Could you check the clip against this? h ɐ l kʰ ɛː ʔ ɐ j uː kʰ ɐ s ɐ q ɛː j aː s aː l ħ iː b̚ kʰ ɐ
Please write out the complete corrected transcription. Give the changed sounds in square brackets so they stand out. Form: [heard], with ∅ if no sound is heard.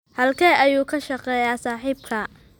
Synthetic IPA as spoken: h ɐ l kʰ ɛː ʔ ɐ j uː kʰ ɐ [ʃ] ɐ q ɛː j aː s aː [∅] ħ iː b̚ kʰ ɐ